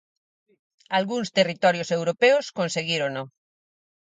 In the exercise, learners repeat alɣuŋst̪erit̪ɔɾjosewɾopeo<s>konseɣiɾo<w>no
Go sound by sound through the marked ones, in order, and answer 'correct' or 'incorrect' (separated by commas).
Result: correct, incorrect